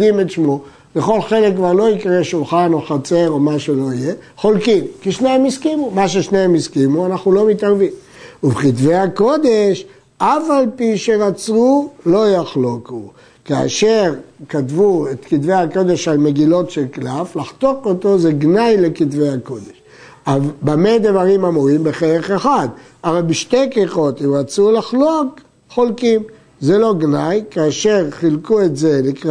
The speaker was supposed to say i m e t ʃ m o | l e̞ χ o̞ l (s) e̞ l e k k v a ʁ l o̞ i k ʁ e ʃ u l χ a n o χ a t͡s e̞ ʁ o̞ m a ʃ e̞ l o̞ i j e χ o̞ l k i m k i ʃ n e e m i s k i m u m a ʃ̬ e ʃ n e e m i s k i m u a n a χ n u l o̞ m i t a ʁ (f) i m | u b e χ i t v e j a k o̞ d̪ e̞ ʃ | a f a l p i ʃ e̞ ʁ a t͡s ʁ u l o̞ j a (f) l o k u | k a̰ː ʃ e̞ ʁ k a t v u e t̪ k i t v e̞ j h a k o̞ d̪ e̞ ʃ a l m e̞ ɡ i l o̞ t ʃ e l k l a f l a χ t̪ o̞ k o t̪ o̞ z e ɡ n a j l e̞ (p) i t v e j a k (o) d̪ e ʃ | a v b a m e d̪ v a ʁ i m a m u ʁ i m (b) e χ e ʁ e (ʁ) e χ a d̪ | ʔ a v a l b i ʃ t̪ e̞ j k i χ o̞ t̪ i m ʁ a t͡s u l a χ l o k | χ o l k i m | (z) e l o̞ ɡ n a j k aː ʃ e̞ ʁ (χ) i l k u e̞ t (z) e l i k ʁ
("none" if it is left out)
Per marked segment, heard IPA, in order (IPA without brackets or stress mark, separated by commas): χ, v, χ, k, o, b, χ, z, χ, z